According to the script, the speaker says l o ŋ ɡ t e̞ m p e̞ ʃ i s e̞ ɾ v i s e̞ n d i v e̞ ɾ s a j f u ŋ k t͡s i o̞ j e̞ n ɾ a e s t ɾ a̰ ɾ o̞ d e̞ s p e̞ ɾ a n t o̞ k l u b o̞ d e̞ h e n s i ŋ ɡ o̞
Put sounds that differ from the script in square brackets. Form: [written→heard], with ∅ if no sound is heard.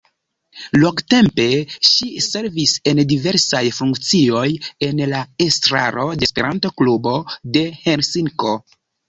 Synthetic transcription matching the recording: l o ŋ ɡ t e̞ m p e̞ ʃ i s e̞ ɾ v i s e̞ n d i v e̞ ɾ s a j f u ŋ k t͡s i o̞ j e̞ n [ɾ→l] a e s t ɾ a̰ ɾ o̞ d e̞ s p e̞ ɾ a n t o̞ k l u b o̞ d e̞ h e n s i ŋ [ɡ→k] o̞